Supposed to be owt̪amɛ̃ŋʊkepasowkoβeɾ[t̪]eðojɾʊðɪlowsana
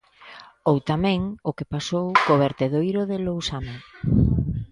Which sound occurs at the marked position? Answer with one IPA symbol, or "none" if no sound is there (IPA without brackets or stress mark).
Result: t̪